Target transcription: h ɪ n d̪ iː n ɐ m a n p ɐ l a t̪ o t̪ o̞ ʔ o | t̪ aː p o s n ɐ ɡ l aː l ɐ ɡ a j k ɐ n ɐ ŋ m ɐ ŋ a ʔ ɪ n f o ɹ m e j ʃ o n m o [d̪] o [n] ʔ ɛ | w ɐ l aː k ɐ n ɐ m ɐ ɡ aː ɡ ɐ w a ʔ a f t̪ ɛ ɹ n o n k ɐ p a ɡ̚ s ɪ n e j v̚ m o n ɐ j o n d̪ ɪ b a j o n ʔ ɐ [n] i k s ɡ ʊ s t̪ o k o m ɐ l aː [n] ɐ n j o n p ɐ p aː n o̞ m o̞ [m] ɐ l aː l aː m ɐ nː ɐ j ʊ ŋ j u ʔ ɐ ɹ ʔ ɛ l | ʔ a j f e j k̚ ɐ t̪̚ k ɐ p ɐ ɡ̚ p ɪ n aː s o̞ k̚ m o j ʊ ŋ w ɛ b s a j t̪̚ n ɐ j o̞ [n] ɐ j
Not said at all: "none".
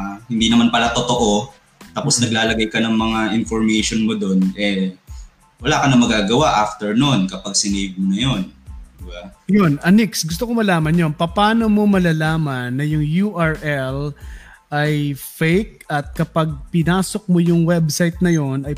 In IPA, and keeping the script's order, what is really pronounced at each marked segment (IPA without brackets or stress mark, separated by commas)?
d̪, n, n, m, m, n